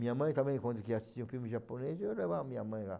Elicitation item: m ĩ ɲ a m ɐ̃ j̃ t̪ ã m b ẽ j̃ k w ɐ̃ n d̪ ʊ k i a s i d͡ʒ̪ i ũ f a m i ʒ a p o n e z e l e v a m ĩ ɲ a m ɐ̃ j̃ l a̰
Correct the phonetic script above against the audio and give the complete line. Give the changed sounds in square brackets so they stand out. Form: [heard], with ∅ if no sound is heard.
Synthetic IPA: m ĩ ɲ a m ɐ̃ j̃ t̪ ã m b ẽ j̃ k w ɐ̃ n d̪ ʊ k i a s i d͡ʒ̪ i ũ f [i] m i ʒ a p o n e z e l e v a m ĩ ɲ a m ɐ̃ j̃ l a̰